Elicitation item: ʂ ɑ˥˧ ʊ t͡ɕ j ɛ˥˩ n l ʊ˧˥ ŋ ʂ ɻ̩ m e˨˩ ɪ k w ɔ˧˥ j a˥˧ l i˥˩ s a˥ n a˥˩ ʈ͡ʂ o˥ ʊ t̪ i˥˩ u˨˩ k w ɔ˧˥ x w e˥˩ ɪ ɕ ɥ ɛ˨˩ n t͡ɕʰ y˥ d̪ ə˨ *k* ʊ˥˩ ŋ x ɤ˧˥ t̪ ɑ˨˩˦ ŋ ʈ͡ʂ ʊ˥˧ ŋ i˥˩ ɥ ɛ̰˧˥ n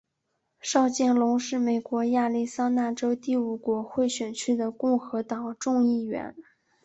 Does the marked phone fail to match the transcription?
no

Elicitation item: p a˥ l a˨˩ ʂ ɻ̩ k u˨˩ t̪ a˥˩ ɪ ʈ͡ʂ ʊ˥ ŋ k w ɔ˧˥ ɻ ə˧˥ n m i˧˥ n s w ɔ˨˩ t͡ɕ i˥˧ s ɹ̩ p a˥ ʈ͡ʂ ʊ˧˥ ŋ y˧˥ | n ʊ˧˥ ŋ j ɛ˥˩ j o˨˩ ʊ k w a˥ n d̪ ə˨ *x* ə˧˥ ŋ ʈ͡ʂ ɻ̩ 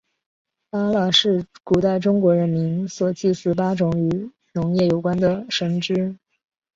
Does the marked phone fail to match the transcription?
yes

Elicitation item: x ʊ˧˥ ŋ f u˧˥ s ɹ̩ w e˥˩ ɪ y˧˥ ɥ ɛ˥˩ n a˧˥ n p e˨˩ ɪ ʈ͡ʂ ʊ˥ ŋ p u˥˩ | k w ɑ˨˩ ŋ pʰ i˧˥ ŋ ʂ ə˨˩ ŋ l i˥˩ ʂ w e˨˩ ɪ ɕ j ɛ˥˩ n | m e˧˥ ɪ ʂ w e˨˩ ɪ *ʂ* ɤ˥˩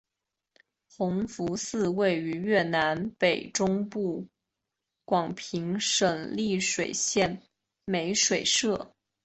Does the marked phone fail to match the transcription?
no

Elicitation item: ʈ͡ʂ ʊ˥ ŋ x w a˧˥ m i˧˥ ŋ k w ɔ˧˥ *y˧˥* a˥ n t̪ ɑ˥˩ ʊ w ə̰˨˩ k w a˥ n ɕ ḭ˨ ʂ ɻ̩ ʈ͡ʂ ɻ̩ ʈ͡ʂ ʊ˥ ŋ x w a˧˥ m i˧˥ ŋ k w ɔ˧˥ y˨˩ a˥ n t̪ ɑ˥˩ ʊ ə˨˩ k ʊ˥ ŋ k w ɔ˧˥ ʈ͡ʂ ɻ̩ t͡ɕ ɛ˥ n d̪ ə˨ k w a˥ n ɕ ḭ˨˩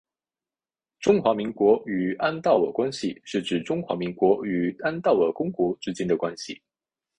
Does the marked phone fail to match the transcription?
yes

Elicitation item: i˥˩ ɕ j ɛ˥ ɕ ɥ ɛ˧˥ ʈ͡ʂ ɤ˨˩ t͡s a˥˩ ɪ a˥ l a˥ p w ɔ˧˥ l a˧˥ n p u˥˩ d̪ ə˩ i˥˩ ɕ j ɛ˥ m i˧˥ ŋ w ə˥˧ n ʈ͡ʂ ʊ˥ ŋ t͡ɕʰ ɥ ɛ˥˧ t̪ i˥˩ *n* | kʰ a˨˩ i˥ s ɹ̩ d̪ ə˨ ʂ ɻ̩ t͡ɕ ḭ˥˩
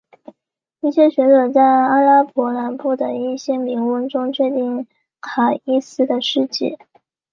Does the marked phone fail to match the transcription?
yes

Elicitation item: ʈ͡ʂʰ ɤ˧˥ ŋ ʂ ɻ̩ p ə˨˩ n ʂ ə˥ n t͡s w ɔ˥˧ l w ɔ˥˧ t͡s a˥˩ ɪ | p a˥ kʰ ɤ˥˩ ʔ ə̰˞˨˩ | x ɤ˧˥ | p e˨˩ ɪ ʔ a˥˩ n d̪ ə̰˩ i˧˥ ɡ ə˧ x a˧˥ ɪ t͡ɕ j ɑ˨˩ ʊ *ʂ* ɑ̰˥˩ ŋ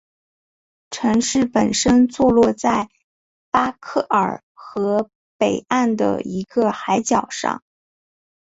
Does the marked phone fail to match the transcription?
no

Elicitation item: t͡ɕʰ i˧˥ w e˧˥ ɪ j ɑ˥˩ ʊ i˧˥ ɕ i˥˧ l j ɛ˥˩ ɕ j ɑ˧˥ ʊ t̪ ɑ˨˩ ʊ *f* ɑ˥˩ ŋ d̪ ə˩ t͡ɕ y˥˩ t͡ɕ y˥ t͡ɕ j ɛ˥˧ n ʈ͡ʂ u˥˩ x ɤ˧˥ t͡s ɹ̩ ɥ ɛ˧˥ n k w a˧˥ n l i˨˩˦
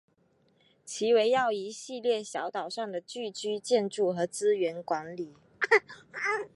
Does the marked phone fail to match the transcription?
yes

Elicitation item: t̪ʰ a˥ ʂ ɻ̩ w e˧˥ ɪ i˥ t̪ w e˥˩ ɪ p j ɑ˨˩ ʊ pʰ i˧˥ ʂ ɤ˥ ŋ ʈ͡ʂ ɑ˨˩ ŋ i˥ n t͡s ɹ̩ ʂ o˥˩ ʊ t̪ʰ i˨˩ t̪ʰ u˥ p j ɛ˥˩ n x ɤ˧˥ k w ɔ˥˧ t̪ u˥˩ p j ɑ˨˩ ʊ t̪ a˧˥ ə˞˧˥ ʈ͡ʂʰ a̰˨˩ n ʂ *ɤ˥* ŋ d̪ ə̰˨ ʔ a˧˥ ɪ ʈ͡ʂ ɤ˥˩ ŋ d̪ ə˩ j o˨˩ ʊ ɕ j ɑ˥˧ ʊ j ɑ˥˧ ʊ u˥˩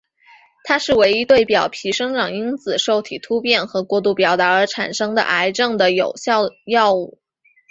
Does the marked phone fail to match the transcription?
no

